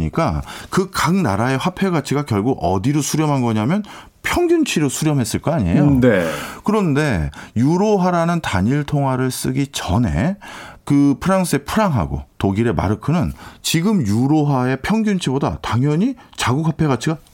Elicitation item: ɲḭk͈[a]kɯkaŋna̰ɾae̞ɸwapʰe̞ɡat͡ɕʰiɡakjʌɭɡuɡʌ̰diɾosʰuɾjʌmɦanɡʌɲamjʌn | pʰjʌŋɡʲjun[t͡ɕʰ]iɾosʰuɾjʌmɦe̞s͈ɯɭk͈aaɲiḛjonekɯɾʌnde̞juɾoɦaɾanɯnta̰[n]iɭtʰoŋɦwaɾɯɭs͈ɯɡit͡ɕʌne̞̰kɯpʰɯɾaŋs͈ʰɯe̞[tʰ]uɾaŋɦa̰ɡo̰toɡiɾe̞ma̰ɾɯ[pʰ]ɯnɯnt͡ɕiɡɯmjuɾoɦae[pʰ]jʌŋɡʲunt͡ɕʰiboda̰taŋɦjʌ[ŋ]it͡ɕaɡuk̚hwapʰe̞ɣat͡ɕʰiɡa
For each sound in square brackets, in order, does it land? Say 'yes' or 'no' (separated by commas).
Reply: yes, yes, no, no, no, yes, no